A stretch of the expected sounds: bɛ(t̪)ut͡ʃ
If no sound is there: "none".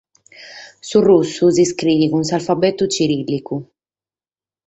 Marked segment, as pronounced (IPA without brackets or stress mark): t̪